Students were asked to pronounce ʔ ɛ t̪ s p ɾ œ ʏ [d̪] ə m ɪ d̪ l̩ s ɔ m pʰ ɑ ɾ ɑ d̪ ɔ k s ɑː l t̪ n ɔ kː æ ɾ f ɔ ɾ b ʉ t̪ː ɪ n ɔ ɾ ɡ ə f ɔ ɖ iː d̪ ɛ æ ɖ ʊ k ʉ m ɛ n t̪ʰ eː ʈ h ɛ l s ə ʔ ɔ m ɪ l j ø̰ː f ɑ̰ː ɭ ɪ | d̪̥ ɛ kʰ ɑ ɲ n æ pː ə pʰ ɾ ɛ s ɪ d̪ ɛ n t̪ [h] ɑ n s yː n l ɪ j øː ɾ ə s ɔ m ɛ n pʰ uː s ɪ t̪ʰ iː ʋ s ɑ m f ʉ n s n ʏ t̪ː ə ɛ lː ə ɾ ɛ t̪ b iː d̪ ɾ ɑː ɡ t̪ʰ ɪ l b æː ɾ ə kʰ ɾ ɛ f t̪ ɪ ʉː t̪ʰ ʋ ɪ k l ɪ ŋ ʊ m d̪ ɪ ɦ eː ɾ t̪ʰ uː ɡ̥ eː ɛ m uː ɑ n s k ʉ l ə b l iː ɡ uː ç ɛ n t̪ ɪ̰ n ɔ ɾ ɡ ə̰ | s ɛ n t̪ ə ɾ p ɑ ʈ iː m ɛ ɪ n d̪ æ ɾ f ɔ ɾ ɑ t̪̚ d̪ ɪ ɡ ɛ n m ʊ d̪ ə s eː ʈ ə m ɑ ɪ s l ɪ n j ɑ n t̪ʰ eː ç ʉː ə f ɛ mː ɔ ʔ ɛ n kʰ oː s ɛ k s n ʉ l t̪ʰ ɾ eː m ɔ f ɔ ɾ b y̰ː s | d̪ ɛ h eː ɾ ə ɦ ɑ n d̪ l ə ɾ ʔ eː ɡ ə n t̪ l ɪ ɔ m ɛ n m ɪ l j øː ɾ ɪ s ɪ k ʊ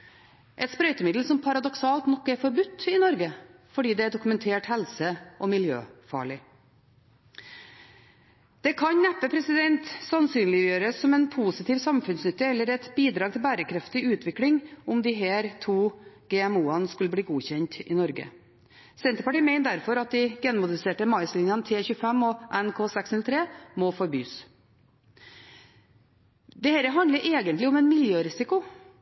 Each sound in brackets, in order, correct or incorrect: incorrect: t̪, incorrect: s

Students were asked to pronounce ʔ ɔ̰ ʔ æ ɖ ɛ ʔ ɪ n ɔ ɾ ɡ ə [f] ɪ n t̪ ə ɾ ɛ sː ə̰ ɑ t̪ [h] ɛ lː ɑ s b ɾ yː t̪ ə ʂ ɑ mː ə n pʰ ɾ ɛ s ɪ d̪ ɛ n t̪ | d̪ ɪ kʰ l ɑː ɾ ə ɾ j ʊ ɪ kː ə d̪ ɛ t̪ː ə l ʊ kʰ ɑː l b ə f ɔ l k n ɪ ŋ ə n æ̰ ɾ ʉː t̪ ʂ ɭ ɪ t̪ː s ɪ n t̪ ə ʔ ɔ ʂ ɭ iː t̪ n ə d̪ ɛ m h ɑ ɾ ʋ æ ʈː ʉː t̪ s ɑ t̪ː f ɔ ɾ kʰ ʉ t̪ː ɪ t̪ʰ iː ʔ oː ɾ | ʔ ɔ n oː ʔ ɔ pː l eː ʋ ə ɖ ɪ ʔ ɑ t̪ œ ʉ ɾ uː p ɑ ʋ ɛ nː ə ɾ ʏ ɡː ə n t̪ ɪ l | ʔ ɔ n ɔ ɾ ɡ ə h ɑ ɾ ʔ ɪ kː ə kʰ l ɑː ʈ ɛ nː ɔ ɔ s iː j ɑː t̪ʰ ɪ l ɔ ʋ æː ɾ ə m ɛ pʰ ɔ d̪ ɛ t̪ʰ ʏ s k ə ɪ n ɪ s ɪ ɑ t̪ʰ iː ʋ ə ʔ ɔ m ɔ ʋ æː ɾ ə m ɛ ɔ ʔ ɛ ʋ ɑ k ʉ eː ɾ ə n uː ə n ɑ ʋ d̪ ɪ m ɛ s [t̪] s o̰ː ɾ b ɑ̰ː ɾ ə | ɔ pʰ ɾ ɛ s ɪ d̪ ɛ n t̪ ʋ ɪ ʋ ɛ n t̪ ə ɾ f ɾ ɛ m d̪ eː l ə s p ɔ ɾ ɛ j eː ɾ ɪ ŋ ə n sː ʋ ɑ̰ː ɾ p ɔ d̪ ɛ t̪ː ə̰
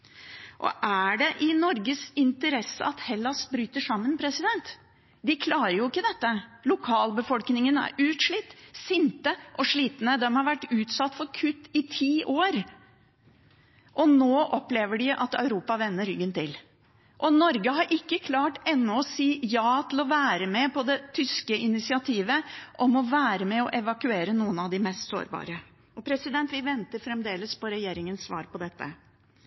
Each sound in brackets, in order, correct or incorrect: incorrect: s, correct, correct

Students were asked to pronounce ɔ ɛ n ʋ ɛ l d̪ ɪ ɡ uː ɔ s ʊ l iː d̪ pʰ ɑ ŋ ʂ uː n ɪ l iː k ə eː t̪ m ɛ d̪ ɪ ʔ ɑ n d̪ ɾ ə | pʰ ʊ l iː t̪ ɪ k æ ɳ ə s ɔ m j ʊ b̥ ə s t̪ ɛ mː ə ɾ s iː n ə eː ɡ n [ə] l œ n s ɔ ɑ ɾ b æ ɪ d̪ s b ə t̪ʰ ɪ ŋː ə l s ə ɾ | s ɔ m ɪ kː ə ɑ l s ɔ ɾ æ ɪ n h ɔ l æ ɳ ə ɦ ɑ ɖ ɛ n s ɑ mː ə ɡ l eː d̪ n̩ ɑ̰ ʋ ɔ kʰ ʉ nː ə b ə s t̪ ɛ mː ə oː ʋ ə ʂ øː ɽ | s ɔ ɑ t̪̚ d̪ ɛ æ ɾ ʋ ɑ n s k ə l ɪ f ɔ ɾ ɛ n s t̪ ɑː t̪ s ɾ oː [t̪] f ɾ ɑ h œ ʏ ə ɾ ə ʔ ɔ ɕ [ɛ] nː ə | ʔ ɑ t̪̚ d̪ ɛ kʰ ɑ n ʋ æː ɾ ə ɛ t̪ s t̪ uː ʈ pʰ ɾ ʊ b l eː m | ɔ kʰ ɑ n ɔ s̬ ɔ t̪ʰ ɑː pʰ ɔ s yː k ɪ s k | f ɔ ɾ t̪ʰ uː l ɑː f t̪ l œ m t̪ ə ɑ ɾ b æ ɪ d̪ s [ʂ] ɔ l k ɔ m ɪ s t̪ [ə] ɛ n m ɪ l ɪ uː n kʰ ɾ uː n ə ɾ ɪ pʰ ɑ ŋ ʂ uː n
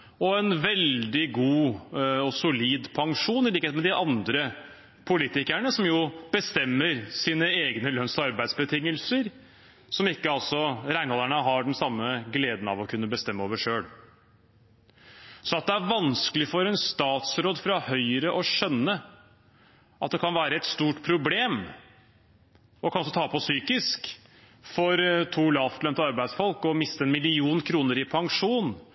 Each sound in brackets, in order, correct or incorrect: correct, incorrect: d̪, incorrect: œ, incorrect: f, correct

